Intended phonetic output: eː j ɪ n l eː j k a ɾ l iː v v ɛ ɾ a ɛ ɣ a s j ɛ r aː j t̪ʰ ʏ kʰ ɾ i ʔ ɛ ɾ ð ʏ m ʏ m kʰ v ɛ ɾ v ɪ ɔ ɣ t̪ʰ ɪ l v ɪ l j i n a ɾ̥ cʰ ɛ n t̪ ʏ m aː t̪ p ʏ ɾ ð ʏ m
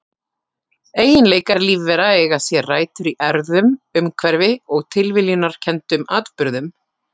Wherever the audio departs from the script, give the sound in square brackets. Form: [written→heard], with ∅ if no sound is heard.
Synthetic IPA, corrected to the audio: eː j ɪ n l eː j k a ɾ l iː v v ɛ ɾ a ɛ ɣ a s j ɛ r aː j [t̪ʰ→t̪] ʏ [kʰ→∅] ɾ i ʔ ɛ ɾ ð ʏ m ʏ m kʰ v ɛ ɾ v ɪ ɔ ɣ t̪ʰ ɪ l v ɪ l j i n a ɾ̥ cʰ ɛ n t̪ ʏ m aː t̪ p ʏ ɾ ð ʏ m